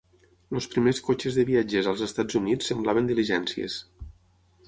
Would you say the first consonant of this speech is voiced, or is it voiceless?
voiced